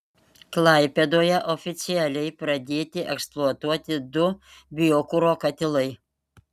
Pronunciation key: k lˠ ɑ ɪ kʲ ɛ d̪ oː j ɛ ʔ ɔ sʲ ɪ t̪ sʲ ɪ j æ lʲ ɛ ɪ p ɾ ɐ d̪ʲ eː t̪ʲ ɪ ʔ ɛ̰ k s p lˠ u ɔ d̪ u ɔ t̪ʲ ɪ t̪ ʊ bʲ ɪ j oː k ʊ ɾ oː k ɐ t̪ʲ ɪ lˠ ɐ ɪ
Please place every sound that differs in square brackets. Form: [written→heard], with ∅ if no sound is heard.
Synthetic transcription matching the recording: k lˠ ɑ ɪ [kʲ→pʲ] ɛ d̪ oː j ɛ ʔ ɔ [sʲ→fʲ] ɪ t̪ sʲ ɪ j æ lʲ ɛ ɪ p ɾ ɐ d̪ʲ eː t̪ʲ ɪ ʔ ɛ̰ k s p lˠ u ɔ [d̪→t̪] u ɔ t̪ʲ ɪ [t̪→d̪] ʊ bʲ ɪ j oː k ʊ ɾ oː k ɐ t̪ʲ ɪ lˠ ɐ ɪ